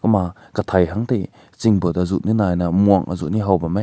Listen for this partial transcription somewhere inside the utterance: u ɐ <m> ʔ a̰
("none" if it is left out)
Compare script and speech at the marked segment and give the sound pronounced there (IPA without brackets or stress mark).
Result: ŋ